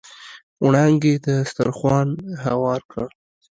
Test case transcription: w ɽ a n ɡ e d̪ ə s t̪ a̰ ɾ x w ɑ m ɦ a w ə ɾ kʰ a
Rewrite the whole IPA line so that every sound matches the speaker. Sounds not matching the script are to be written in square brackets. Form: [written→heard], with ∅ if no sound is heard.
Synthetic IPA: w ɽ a [n→ŋ] ɡ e d̪ ə s t̪ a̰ ɾ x w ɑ [m→n] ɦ a w [ə→ɑ] ɾ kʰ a